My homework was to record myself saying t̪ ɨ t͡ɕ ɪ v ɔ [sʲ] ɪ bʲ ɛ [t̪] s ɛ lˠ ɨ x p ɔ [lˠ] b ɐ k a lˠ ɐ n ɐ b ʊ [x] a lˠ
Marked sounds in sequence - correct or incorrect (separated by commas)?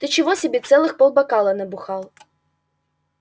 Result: correct, correct, correct, correct